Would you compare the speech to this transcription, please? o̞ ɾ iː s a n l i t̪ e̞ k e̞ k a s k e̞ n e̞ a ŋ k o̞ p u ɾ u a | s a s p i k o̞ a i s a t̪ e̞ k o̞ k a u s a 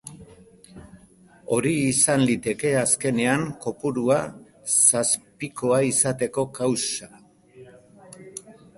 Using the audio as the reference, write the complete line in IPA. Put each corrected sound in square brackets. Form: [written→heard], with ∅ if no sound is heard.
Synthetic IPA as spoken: o̞ ɾ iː s a n l i t̪ e̞ k e̞ [k→∅] a s k e̞ n e̞ a ŋ k o̞ p u ɾ u a | s a s p i k o̞ a i s a t̪ e̞ k o̞ k a [u→w] s a